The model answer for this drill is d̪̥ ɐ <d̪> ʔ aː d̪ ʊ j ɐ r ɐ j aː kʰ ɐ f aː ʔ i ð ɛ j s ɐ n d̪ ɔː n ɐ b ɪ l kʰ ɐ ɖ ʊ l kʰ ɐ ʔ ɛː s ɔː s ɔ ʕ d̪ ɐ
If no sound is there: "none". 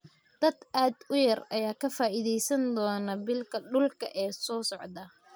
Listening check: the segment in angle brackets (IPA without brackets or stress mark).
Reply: d̪